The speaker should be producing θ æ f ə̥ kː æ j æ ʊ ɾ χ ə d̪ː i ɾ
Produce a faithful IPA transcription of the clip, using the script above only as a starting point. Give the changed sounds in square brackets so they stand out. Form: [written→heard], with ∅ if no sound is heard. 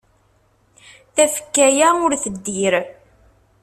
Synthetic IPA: θ æ f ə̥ kː æ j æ ʊ ɾ [χ→θ] ə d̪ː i ɾ